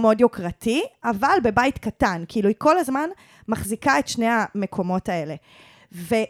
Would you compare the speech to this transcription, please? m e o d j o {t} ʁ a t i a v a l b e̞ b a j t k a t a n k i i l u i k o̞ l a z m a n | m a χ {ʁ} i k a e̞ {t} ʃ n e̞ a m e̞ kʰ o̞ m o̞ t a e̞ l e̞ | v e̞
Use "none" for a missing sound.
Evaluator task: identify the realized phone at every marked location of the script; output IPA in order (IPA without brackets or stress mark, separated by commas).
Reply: k, z, t